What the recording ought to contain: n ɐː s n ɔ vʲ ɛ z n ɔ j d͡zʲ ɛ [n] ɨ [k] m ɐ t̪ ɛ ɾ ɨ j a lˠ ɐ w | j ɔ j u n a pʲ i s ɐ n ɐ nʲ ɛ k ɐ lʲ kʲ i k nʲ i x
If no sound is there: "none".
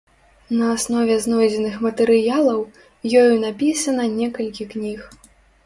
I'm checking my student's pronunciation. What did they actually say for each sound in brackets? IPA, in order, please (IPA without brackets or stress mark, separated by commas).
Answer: n, x